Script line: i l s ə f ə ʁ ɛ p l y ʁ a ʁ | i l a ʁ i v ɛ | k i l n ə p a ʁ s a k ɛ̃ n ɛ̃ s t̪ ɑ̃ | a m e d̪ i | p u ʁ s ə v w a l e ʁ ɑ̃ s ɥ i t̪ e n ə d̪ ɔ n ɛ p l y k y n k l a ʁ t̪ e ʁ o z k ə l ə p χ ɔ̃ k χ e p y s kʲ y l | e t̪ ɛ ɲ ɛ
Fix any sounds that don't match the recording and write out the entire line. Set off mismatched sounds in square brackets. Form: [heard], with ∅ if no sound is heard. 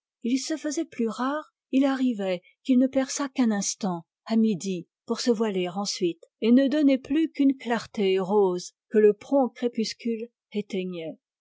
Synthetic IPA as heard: i l s ə f ə [z] ɛ p l y ʁ a ʁ | i l a ʁ i v ɛ | k i l n ə p [ɛ] ʁ s a k ɛ̃ n ɛ̃ s t̪ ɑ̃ | a m [i] d̪ i | p u ʁ s ə v w a l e ʁ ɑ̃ s ɥ i t̪ e n ə d̪ ɔ n ɛ p l y k y n k l a ʁ t̪ e ʁ o z k ə l ə p χ ɔ̃ k χ e p y s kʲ y l | e t̪ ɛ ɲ ɛ